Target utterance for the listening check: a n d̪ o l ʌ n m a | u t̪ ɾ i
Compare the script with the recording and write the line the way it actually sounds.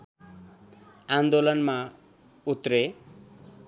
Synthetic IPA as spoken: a n d̪ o l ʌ n m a | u t̪ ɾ e